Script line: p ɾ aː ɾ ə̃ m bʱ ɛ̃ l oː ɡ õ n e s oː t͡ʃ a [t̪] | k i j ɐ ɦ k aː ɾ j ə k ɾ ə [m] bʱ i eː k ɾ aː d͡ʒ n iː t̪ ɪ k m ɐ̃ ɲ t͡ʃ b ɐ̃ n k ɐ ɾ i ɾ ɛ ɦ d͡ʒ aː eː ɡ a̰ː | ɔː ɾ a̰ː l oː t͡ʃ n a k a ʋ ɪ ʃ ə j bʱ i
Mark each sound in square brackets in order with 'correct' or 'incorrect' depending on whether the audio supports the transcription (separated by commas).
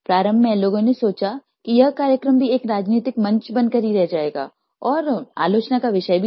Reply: incorrect, correct